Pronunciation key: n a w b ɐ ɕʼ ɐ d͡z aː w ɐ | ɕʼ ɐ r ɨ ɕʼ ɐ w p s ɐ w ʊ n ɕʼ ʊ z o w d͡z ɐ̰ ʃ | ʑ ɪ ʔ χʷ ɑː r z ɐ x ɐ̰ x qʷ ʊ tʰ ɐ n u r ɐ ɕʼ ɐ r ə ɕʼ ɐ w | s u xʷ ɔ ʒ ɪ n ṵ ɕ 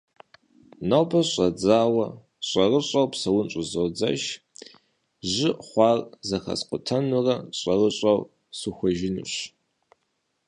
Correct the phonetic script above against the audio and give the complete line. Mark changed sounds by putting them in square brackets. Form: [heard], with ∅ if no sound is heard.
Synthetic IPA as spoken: n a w b ɐ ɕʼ ɐ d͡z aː w ɐ | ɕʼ ɐ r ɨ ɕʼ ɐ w p s ɐ w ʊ n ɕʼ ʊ z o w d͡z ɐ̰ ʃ | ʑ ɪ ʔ χʷ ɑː r z ɐ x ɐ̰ [s] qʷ ʊ tʰ ɐ n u r ɐ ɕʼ ɐ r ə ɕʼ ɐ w | s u xʷ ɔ ʒ ɪ n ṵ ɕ